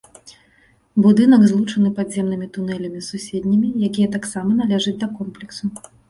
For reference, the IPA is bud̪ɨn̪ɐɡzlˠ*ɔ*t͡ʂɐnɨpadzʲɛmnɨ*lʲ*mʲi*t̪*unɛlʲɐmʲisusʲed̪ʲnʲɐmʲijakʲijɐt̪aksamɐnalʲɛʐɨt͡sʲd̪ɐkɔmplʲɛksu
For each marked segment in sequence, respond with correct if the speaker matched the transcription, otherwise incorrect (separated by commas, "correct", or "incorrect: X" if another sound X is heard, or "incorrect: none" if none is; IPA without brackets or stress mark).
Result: incorrect: u, incorrect: none, correct